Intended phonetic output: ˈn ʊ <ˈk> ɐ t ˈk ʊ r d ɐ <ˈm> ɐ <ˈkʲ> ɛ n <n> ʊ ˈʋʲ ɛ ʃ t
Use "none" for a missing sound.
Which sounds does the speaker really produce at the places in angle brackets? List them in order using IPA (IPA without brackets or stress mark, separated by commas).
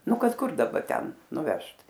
k, b, tʲ, n